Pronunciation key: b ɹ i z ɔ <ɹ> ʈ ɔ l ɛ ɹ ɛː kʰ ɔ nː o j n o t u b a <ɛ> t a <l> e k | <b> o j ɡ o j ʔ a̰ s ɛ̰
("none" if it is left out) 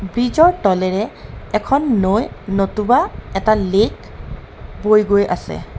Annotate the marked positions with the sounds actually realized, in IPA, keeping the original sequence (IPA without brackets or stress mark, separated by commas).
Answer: ɹ, ɛ, l, b